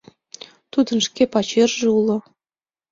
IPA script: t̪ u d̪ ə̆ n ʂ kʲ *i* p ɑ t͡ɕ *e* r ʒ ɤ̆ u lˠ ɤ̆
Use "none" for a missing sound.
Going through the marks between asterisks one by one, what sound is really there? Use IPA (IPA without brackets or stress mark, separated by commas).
e, e